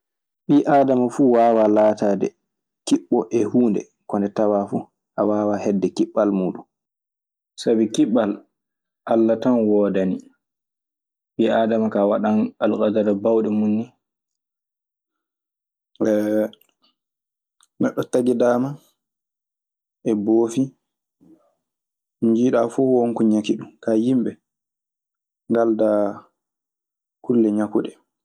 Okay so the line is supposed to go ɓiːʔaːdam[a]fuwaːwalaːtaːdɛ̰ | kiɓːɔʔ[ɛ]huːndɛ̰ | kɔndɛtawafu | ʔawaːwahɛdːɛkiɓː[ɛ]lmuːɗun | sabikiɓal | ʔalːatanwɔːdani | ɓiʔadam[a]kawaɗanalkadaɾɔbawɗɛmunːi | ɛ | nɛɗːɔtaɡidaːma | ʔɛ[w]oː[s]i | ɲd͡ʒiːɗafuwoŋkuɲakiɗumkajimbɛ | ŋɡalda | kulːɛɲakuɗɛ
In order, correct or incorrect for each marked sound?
correct, correct, incorrect: a, correct, incorrect: b, incorrect: f

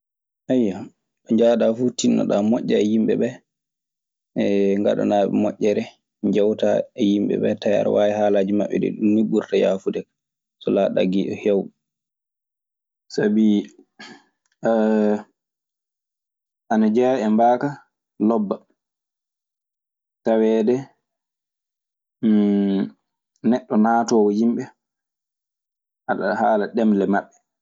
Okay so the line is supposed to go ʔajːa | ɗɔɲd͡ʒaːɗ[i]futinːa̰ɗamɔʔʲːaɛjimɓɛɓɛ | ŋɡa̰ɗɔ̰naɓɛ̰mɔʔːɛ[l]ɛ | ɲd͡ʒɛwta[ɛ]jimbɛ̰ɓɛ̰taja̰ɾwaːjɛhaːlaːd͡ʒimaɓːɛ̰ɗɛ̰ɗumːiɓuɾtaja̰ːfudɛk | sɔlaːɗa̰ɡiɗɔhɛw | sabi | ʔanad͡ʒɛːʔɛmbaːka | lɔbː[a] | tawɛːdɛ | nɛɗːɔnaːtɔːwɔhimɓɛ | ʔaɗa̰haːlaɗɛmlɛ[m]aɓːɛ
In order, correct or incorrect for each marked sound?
incorrect: a, incorrect: ɾ, correct, correct, correct

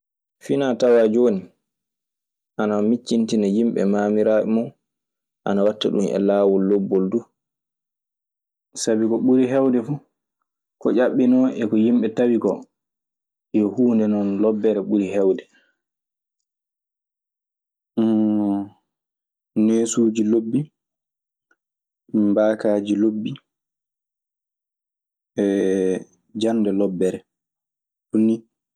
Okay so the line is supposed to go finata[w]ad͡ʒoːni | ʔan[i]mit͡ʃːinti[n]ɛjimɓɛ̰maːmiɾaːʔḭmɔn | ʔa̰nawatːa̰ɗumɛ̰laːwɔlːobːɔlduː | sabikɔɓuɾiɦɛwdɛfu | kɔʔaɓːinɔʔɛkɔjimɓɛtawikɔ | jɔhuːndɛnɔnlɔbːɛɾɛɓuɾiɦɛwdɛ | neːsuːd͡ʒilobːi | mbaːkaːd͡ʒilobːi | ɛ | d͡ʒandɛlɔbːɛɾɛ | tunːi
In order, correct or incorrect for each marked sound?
correct, incorrect: a, correct

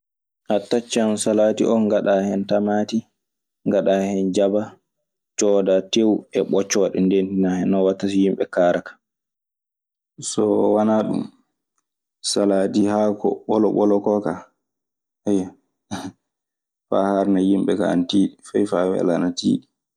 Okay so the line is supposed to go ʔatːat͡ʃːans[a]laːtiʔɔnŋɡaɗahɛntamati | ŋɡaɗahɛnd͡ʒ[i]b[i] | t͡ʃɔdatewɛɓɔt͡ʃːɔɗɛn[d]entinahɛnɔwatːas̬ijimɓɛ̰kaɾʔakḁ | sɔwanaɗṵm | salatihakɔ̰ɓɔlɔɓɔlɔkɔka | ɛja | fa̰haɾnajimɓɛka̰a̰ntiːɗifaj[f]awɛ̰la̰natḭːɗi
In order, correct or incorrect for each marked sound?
correct, incorrect: a, incorrect: a, correct, correct

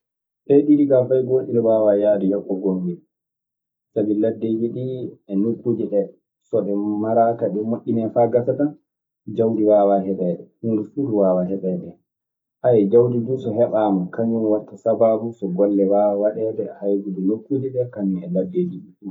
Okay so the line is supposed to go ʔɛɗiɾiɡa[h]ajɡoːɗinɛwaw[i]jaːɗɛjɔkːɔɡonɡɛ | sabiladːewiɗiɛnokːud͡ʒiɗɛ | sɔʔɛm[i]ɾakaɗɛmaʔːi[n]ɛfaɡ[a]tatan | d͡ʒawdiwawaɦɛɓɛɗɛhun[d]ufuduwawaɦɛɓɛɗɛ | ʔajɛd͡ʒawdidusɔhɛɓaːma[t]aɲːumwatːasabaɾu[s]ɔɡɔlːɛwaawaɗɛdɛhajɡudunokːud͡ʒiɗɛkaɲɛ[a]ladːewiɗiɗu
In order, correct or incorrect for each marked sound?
incorrect: f, incorrect: a, incorrect: a, correct, correct, correct, incorrect: k, correct, incorrect: ɛ

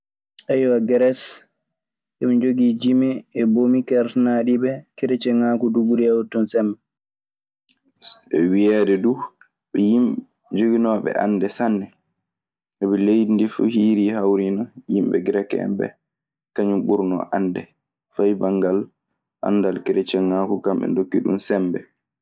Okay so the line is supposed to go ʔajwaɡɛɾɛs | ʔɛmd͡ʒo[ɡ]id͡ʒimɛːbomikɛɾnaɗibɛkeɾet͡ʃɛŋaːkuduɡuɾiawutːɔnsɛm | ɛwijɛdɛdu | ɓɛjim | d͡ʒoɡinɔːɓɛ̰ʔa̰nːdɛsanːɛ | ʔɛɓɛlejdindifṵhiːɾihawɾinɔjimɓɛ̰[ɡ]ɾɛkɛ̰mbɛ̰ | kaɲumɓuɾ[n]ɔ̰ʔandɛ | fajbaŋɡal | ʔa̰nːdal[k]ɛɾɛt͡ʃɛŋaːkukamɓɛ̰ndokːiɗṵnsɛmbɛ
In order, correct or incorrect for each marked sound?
correct, correct, correct, correct

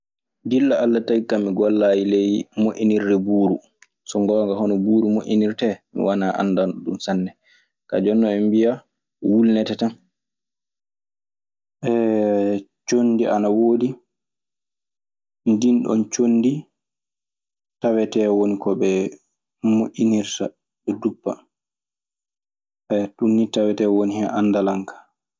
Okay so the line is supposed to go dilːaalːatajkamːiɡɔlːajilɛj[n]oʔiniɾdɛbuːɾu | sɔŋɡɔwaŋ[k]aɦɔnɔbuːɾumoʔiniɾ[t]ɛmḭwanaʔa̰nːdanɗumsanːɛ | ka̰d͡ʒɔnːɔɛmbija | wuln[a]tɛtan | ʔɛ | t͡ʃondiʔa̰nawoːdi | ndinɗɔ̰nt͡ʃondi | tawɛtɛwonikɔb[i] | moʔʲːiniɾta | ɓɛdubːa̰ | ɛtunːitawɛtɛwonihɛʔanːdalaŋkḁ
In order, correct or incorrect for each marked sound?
incorrect: m, incorrect: ɡ, correct, incorrect: ɛ, incorrect: ɛ

